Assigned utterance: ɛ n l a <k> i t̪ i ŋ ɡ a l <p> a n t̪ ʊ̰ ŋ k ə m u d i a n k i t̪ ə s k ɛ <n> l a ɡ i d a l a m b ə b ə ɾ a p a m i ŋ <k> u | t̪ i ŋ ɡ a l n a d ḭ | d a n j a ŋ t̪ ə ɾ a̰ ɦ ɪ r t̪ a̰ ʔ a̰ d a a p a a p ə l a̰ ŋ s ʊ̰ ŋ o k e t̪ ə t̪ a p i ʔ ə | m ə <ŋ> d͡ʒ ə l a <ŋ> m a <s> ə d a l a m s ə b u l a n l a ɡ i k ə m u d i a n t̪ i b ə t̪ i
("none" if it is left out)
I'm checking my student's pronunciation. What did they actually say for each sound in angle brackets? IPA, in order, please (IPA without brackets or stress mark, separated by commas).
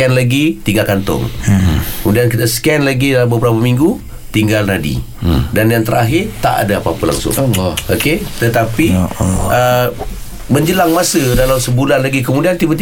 ɡ, k, n, ɡ, ɲ, ŋ, s